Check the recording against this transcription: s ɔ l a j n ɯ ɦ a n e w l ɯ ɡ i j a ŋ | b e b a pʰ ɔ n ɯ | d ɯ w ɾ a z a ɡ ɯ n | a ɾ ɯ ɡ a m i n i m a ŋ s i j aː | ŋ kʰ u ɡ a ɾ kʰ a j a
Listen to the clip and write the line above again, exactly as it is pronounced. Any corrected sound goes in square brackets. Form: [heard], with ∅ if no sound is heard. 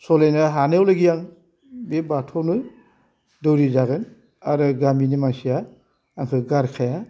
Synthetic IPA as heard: s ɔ l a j n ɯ ɦ a n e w l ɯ ɡ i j a ŋ | b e b a [tʰ] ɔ n ɯ | d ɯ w ɾ [i] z a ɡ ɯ n | a ɾ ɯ ɡ a m i n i m a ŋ s i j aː | ŋ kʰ [ɯ] ɡ a ɾ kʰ a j a

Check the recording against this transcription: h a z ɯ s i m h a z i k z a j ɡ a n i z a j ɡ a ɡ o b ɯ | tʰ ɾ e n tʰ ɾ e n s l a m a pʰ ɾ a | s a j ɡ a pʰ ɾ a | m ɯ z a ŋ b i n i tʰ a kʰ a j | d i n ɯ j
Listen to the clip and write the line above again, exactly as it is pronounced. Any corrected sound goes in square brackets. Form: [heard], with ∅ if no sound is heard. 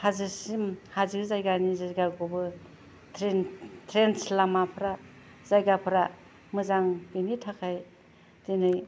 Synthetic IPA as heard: h a z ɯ s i m h a z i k z a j ɡ a n i z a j ɡ a ɡ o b ɯ | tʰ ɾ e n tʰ ɾ e n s l a m a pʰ ɾ a | [z] a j ɡ a pʰ ɾ a | m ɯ z a ŋ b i n i tʰ a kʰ a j | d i n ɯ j

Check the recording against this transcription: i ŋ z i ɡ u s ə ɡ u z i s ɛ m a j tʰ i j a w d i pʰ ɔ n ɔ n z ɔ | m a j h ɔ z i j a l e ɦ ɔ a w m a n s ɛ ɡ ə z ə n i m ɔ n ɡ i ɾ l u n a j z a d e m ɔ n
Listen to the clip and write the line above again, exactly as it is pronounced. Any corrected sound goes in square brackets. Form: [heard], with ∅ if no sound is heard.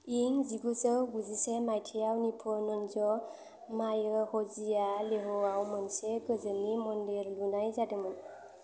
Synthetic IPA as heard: i ŋ z i ɡ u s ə ɡ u z i s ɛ m a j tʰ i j a w [n] i pʰ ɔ n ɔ n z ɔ | m a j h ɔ z i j a l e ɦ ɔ a w m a n s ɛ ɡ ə z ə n i m ɔ n [d] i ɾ l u n a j z a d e m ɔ n

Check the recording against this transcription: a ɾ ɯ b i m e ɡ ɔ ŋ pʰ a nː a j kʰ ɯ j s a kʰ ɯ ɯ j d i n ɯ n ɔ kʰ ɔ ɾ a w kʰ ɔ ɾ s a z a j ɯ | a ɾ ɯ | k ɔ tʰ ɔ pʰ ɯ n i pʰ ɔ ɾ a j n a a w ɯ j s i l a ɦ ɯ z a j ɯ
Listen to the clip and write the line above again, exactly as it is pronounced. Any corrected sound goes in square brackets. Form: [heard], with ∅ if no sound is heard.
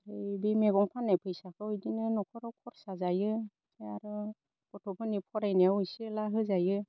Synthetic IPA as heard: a ɾ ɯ b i m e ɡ ɔ ŋ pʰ a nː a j [pʰ] ɯ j s a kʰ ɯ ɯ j d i n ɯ n ɔ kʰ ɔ ɾ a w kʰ ɔ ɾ s a z a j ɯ | a ɾ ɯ | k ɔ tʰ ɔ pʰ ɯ n i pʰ ɔ ɾ a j n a a w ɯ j s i l a ɦ ɯ z a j ɯ

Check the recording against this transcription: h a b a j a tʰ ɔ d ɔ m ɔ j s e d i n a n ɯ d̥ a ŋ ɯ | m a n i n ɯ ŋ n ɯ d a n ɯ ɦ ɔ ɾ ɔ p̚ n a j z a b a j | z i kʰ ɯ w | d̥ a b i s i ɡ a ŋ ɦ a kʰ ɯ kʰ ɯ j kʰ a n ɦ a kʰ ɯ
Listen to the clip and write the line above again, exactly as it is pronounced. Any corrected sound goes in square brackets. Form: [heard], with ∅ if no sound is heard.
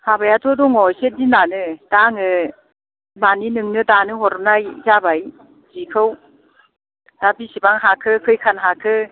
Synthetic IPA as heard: h a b a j a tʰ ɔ d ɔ [ŋ] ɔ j s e d i n a n ɯ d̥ a ŋ ɯ | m a n i n ɯ ŋ n ɯ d a n ɯ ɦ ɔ ɾ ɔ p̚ n a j z a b a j | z i kʰ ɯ w | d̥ a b i s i [b] a ŋ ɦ a kʰ ɯ kʰ ɯ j kʰ a n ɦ a kʰ ɯ

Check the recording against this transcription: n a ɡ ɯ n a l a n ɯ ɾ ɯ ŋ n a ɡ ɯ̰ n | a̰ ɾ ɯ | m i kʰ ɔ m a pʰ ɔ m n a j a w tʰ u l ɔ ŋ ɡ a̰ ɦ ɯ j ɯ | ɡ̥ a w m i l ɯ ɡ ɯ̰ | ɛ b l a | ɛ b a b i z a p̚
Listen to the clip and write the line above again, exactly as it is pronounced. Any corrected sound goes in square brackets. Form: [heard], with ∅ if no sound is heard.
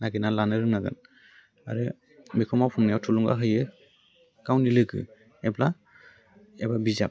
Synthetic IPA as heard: n a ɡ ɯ n a l a n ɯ ɾ ɯ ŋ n a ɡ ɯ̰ n | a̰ ɾ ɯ | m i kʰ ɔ m a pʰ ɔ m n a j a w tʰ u l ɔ ŋ ɡ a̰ ɦ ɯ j ɯ | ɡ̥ a w [n] i l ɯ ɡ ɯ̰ | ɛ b l a | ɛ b a b i z a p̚

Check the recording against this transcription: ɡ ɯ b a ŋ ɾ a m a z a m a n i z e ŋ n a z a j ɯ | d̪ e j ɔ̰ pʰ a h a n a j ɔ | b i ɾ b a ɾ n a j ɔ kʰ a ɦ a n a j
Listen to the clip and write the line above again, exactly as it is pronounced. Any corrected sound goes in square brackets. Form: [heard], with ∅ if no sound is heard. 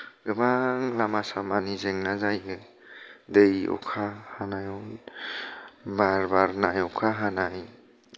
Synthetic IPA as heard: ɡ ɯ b a ŋ [l] a m a [s] a m a n i z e ŋ n a z a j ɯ | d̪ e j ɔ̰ [kʰ] a h a n a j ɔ | b [a] ɾ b a ɾ n a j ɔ kʰ a ɦ a n a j

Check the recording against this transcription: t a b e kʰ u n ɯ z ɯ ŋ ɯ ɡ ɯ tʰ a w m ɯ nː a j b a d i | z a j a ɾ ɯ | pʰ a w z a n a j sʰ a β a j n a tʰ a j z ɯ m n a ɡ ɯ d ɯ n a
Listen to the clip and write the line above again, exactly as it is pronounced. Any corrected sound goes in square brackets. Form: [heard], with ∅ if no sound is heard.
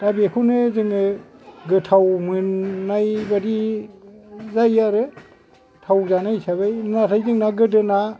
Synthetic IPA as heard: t a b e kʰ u n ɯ z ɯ ŋ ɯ ɡ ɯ tʰ a w m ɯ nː a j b a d i | z a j a ɾ ɯ | [tʰ] a w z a n a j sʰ a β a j n a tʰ a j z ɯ [ŋ] n a ɡ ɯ d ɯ n a

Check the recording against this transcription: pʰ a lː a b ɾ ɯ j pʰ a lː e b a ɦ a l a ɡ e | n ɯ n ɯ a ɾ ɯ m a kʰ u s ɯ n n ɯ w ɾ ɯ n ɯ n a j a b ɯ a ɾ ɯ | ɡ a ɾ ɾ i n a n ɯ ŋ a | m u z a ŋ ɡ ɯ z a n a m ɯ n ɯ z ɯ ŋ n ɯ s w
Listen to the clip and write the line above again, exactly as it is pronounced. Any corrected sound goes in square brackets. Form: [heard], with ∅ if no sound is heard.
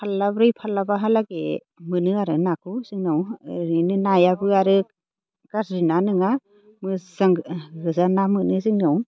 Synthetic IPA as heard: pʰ a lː a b ɾ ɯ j pʰ a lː [a] b a ɦ a l a ɡ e | [m] ɯ n ɯ a ɾ ɯ [n] a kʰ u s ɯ [ŋ] n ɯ w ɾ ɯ n ɯ n a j a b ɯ a ɾ ɯ | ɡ a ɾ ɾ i n a n ɯ ŋ a | m [ɯ] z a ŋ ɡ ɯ z a n a m ɯ n ɯ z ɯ ŋ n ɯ [∅] w

